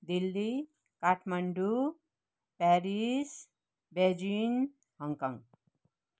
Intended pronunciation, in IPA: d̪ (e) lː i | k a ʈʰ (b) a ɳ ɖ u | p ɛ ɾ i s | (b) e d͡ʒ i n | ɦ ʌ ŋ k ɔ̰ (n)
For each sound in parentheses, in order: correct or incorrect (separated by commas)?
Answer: incorrect, incorrect, correct, incorrect